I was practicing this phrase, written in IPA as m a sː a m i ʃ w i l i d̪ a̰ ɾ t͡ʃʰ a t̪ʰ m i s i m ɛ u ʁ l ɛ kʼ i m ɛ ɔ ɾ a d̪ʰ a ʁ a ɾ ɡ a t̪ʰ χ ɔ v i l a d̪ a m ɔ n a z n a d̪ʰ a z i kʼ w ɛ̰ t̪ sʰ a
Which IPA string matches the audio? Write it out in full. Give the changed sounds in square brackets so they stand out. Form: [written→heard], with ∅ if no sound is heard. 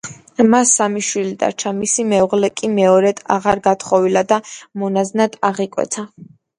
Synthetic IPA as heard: m a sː a m i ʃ w i l i d̪ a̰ ɾ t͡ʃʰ a [t̪ʰ→∅] m i s i m ɛ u ʁ l ɛ kʼ i m ɛ ɔ ɾ [a→ɛ] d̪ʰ a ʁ a ɾ ɡ a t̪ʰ χ ɔ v i l a d̪ a m ɔ n a z n a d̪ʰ a [z→ʁ] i kʼ w ɛ̰ t̪ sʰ a